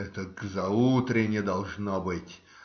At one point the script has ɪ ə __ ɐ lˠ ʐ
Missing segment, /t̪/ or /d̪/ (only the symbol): d̪